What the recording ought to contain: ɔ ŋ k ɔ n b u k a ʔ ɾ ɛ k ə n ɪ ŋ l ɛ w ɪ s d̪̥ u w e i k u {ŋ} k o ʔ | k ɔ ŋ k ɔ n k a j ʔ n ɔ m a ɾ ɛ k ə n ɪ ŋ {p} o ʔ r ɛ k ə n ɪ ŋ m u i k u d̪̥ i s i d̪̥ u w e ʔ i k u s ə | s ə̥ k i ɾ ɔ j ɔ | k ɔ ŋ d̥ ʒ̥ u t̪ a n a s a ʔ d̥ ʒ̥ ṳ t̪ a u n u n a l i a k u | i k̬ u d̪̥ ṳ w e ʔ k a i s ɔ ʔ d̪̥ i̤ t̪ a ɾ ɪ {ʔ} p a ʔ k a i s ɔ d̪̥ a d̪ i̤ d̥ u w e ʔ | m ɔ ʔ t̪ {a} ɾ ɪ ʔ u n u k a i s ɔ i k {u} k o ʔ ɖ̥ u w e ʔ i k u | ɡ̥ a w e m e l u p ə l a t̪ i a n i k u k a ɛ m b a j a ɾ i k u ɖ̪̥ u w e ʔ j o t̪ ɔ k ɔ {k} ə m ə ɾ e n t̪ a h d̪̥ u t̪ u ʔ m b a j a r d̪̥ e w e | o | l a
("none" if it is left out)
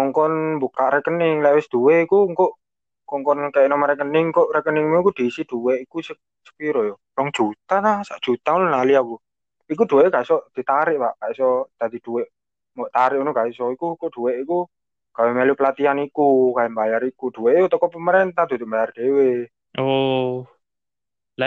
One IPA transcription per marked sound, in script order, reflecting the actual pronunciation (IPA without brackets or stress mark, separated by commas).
ŋ, k, ʔ, a, u, p